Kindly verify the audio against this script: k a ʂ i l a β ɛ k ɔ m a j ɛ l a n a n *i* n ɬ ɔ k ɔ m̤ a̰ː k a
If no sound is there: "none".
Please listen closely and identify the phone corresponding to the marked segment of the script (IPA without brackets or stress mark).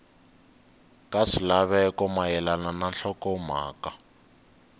a